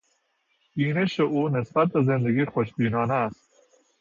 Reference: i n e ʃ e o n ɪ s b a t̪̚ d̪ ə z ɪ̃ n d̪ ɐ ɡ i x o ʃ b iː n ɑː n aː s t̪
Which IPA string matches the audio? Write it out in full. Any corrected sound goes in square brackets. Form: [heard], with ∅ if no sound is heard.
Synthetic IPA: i n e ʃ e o n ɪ s b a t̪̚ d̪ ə z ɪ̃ n d̪ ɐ ɡ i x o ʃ b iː n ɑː n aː s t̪